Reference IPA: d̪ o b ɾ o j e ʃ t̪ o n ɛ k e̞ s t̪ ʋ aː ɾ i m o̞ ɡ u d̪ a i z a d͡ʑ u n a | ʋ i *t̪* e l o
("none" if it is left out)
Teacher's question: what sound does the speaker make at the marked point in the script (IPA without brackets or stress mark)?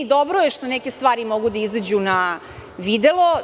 d̪